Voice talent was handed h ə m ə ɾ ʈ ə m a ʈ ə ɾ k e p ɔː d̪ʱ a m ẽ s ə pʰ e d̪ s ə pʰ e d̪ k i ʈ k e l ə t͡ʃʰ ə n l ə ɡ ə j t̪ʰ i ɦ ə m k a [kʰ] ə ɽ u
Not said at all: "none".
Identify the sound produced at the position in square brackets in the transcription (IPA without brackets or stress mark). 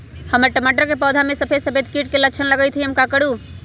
k